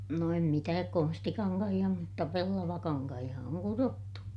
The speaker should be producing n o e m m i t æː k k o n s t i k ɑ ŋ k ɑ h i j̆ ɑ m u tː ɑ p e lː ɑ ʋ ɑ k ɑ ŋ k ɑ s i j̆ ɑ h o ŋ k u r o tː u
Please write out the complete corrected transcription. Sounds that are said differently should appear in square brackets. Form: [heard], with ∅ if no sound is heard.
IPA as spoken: n o e m m i t æː k k o n s t i k ɑ ŋ k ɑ h i j̆ ɑ m u tː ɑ p e lː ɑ ʋ ɑ k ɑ ŋ k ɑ [h] i j̆ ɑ [∅] o ŋ k u r o tː u